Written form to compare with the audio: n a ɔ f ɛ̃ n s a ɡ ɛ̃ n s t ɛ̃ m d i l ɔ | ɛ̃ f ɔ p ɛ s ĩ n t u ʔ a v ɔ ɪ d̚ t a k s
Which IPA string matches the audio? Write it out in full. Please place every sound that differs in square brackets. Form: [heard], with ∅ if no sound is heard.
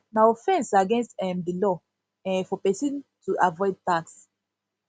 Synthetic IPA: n a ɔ f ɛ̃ n s a ɡ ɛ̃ n s t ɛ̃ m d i l ɔ | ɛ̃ f ɔ p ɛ s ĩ n t u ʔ a v ɔ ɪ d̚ t a k s